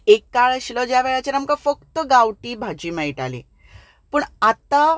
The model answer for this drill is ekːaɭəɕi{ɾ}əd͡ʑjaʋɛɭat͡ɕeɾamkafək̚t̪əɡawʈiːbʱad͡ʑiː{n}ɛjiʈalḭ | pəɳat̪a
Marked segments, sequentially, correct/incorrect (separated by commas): incorrect, incorrect